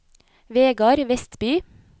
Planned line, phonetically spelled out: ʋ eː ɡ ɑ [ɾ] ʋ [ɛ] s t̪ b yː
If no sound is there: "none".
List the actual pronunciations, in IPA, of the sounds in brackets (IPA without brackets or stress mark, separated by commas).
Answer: ɾ, ɛ